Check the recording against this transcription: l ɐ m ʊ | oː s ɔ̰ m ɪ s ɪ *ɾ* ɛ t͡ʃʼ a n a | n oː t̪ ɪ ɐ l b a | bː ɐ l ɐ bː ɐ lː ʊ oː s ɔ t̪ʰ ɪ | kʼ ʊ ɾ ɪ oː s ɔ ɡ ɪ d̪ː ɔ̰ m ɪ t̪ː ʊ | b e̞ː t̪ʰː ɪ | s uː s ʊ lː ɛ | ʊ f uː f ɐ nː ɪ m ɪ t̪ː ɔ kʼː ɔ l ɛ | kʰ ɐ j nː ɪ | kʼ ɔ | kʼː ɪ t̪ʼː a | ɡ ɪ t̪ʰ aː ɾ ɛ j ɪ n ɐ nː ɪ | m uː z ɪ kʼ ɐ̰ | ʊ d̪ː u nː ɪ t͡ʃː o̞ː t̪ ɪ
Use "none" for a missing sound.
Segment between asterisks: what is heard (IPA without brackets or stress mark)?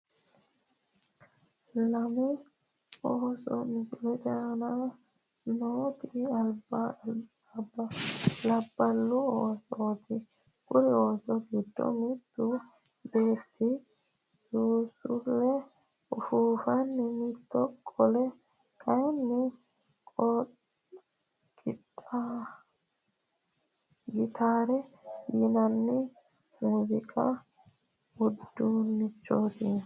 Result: l